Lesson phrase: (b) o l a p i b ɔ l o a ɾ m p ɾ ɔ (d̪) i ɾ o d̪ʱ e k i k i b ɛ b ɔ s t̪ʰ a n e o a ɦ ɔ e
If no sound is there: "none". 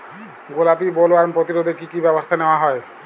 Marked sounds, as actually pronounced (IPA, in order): ɡ, t̪

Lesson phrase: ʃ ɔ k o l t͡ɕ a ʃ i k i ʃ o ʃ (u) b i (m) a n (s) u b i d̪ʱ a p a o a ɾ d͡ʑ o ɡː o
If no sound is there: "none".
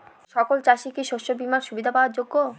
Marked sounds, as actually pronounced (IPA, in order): o, m, ʃ

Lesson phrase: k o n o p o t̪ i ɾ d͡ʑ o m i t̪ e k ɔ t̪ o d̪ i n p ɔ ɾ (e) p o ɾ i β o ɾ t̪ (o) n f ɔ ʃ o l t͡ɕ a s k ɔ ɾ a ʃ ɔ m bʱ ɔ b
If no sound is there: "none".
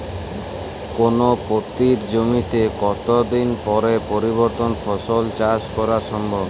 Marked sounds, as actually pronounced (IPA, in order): e, o

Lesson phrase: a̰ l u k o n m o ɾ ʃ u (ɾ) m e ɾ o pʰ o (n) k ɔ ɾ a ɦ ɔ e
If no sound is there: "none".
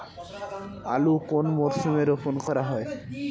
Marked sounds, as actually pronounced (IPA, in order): none, n

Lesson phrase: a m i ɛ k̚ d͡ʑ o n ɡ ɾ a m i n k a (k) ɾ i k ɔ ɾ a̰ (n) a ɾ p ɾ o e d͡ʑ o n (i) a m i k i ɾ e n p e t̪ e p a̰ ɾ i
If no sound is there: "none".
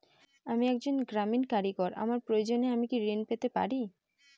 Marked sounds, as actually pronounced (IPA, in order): none, m, e

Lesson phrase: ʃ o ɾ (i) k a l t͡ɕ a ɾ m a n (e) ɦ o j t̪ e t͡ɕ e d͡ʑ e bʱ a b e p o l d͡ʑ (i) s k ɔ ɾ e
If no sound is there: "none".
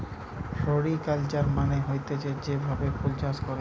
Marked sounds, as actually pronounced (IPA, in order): i, e, a

